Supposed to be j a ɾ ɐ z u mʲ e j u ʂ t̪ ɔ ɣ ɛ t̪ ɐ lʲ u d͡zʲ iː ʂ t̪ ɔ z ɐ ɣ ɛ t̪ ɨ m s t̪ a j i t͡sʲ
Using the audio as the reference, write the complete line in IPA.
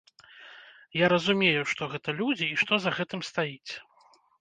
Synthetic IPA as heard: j a ɾ ɐ z u mʲ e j u ʂ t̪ ɔ ɣ ɛ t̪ ɐ lʲ u d͡zʲ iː ʂ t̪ ɔ z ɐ ɣ ɛ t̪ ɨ m s t̪ a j i t͡sʲ